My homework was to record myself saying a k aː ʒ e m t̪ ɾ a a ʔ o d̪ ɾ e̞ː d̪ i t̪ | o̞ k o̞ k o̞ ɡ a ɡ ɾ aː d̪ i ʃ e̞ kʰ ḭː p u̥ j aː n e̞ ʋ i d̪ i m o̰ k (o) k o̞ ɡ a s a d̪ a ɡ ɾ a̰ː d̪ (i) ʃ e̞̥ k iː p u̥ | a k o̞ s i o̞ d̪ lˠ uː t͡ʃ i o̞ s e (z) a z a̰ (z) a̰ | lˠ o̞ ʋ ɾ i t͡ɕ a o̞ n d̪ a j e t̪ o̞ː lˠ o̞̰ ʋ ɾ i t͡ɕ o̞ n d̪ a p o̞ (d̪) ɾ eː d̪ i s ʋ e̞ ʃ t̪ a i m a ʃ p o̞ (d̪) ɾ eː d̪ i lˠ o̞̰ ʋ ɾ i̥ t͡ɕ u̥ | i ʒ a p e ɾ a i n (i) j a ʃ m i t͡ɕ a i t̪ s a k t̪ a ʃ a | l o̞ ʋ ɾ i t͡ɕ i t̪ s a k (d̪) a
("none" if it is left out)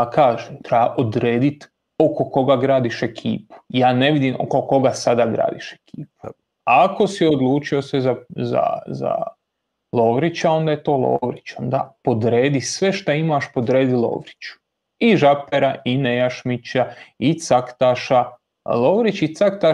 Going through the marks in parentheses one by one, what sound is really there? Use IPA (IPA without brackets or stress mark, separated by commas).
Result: o, i, z, z, d̪, d̪, e, t̪